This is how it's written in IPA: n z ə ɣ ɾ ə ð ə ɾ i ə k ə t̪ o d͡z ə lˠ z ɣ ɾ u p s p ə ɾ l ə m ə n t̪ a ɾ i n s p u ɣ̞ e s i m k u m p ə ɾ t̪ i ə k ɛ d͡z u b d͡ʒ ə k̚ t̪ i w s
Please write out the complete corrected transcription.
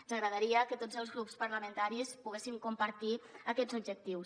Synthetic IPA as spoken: n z ə ɣ ɾ ə ð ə ɾ i ə k ə t̪ o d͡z ə lˠ z ɣ ɾ u p s p ə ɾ l ə m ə n t̪ a ɾ i s p u ɣ̞ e s i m k u m p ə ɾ t̪ i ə k ɛ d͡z u b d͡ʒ ə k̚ t̪ i w s

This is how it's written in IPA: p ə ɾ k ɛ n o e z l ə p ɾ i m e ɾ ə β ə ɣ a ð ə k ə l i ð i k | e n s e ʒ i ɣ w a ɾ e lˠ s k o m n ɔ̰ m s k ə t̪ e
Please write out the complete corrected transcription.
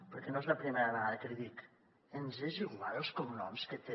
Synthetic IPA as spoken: p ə ɾ k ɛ n o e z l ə p ɾ i m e ɾ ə β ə ɣ a ð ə k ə l i ð i k | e n z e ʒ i ɣ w a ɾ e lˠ s k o m n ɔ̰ m s k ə t̪ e

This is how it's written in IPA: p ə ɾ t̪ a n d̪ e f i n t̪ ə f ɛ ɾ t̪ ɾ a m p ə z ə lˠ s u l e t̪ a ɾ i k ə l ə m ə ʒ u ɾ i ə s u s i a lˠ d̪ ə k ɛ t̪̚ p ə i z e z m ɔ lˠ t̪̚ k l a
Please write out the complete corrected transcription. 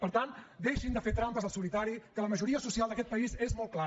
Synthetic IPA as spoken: p ə ɾ t̪ a n d̪ e ʃ i n d̪ ə f e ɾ t̪ ɾ a m p ə z ə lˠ s u l i t̪ a ɾ i k ə l ə m ə ʒ u ɾ i ə s u s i a lˠ d̪ ə k ɛ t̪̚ p ə i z e z m ɔ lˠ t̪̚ k l a

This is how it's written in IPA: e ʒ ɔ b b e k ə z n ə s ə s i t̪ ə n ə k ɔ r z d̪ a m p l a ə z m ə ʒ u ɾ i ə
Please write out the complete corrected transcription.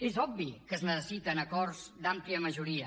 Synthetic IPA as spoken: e z ɔ b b i k ə z n ə s ə s i t̪ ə n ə k ɔ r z d̪ a m p l i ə m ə ʒ u ɾ i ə

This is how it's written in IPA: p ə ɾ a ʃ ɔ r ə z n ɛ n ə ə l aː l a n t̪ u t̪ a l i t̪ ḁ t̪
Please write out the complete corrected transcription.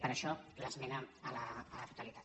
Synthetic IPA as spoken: p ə ɾ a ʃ ɔ l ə z m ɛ n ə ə l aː l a t̪ u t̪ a l i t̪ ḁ t̪

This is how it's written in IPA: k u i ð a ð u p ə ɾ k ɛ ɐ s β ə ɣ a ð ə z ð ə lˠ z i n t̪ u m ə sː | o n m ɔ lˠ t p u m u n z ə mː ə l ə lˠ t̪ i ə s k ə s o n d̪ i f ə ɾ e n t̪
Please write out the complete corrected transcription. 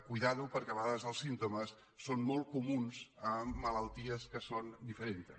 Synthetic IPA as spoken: k u j ð a ð u p ə ɾ k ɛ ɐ β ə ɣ a ð ə z ð ə lˠ s i n t̪ u m ə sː | o n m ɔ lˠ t k u m u n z ə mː ə l ə lˠ t̪ i ə s k ə s o n d̪ i f ə ɾ e n t̪

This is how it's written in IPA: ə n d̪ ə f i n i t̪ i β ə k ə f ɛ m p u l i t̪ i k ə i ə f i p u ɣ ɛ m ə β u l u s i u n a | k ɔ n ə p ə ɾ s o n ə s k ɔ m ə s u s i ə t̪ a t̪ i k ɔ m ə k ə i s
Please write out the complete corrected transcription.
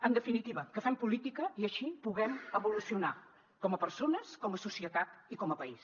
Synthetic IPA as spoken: ə n d̪ ə f i n i t̪ i β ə k ə f ɛ m p u l i t̪ i k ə i ə ʃ i p u ɣ ɛ m ə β u l u s i u n a | k ɔ m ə p ə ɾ s o n ə s k ɔ m ə s u s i ə t̪ a t̪ i k ɔ m ə p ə i s

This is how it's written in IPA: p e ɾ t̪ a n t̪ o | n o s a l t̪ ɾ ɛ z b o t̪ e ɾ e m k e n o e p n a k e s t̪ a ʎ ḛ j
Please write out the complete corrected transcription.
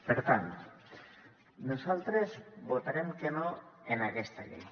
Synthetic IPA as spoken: p e ɾ t̪ a n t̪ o | n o s a l t̪ ɾ e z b o t̪ a ɾ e m k e n o e n a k e s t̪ a ʎ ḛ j

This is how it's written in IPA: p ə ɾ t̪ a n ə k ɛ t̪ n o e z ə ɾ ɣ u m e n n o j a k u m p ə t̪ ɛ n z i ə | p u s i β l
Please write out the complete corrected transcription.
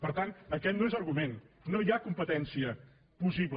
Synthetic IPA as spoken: p ə ɾ t̪ a n ə k ɛ t̪ n o e z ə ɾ ɣ u m e n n o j a k u m p ə t̪ ɛ n s i ə | p u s i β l

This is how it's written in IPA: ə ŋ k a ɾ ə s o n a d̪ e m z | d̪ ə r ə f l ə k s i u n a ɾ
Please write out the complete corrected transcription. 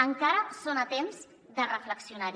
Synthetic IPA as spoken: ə ŋ k a ɾ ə s o n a t̪ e m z | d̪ ə r ə f l ə k s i u n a ɾ

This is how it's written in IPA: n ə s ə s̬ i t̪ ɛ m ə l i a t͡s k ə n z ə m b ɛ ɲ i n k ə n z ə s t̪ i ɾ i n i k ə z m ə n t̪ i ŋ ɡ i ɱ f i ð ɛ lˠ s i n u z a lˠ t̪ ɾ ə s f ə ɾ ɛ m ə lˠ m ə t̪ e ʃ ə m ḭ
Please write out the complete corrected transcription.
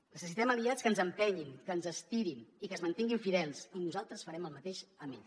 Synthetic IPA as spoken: n ə s ə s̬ i t̪ ɛ m ə l i a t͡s k ə n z ə m p ɛ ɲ i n k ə n z ə s t̪ i ɾ i n i k ə z m ə n t̪ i ŋ ɡ i ɱ f i ð ɛ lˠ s i n u z a lˠ t̪ ɾ ə s f ə ɾ ɛ m ə lˠ m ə t̪ e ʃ ə m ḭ

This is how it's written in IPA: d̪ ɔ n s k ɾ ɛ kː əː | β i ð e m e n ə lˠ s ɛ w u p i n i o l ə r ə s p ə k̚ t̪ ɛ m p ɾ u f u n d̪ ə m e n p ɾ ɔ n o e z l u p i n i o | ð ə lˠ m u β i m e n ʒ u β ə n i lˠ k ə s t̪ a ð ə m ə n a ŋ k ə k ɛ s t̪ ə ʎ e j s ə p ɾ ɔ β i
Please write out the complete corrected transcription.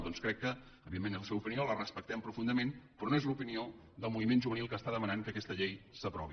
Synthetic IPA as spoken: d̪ ɔ n s k ɾ ɛ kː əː | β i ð e m e n ə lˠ s ɛ w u p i n i o l ə r ə s p ə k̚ t̪ ɛ m p ɾ u f u n d̪ ə m e n p ɾ ɔ n o e z l u p i n i o | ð ə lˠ m u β i m e n ʒ u β ə n i lˠ k ə s t̪ a ð ə m ə n a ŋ k ə k ɛ s t̪ ə ʎ e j s ə p ɾ ɔ β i

